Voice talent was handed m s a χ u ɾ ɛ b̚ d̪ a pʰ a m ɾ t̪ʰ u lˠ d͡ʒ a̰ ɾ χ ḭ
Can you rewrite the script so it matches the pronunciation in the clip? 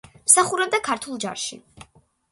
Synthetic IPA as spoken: m s a χ u ɾ ɛ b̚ d̪ a kʰ a ɾ t̪ʰ u lˠ d͡ʒ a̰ ɾ ʃ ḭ